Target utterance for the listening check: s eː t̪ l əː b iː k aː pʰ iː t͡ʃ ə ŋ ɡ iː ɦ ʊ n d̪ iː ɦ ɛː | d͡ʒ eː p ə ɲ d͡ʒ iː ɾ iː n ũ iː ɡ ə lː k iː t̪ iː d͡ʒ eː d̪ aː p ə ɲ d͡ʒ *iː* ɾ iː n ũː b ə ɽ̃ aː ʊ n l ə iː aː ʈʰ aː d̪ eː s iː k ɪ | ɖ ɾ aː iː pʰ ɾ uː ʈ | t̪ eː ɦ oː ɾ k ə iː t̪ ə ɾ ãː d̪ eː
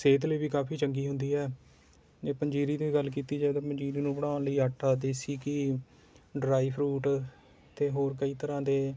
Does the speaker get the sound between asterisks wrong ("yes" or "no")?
no